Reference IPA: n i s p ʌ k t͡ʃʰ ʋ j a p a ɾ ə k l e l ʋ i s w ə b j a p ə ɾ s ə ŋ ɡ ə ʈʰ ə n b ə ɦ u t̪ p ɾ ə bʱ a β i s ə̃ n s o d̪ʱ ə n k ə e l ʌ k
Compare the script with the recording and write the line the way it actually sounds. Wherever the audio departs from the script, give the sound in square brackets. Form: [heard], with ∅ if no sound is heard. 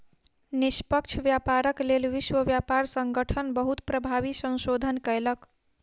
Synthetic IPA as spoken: n i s p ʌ k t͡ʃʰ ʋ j a p a ɾ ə k l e l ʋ i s w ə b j a p [a] ɾ s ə ŋ ɡ ə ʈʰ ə n b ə ɦ u t̪ p ɾ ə bʱ a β i s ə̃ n s o d̪ʱ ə n k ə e l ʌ k